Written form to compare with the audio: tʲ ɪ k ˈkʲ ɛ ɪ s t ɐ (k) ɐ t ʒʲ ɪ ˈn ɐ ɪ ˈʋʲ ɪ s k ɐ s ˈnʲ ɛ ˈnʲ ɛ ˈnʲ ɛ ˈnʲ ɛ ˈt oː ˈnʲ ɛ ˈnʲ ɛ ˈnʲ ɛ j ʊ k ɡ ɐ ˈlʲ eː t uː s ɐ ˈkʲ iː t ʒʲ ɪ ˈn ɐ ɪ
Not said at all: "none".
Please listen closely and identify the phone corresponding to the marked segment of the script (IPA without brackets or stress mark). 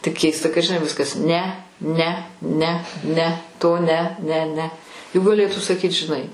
k